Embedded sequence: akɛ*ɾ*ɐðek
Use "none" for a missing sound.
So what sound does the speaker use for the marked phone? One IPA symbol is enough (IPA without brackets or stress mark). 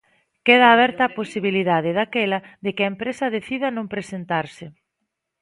l